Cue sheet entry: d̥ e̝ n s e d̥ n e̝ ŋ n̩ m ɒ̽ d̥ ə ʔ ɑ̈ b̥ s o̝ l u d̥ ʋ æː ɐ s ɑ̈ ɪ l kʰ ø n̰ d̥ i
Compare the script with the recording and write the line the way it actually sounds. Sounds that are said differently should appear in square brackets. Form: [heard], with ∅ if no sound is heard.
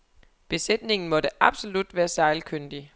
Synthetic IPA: [b̥] e̝ [∅] s e d̥ n e̝ ŋ n̩ m ɒ̽ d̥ ə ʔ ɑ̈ b̥ s o̝ l u d̥ ʋ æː ɐ s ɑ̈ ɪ l kʰ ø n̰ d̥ i